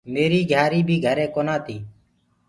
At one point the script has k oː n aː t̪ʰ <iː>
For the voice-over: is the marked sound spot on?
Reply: yes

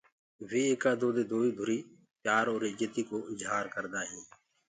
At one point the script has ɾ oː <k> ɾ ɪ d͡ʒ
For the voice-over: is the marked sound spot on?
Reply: no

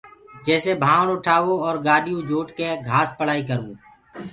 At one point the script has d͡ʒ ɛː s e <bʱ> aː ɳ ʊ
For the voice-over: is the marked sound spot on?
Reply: yes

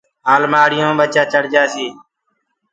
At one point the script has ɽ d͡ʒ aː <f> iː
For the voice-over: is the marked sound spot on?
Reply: no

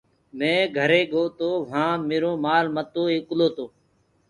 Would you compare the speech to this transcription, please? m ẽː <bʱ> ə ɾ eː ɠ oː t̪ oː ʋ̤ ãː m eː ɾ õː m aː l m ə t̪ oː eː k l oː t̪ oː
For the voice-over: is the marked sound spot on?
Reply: no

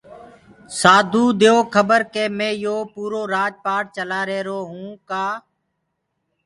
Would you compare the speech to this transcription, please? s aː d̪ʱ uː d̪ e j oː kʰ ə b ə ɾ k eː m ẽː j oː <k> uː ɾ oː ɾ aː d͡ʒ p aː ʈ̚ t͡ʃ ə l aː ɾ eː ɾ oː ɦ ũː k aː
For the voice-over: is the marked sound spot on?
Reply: no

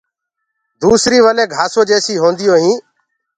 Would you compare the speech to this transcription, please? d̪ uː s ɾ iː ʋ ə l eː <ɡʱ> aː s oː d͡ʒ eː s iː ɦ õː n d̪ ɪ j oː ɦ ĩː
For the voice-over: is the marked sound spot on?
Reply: yes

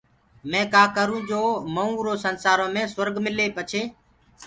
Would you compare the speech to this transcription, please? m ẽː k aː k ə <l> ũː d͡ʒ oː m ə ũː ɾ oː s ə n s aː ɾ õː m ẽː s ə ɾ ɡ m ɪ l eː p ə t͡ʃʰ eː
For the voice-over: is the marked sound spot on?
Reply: no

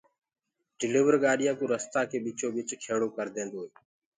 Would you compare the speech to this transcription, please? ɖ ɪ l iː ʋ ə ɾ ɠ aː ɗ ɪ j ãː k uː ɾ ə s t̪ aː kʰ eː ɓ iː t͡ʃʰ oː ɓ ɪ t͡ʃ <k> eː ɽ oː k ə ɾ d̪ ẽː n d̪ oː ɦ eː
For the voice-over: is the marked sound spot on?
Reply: no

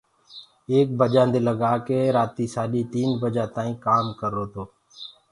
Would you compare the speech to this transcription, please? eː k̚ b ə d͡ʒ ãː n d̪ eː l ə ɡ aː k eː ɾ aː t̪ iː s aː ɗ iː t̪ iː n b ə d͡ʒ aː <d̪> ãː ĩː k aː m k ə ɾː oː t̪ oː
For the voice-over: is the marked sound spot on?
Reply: no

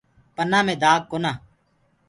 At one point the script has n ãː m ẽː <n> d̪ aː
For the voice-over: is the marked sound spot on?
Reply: no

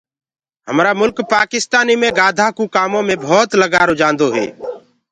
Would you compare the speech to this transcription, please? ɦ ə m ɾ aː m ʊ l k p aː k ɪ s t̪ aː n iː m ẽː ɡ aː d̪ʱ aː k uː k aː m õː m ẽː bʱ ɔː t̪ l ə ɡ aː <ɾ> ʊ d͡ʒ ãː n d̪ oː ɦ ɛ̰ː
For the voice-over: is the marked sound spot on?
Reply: yes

